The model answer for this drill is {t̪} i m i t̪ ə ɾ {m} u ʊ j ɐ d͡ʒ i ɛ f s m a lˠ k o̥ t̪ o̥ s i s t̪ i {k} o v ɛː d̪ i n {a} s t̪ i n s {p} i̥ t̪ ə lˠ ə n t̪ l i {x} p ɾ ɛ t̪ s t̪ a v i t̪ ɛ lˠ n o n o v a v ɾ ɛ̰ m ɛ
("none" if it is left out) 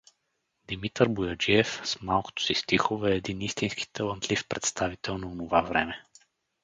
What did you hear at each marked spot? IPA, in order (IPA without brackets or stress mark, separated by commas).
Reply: d̪, b, x, i, k, f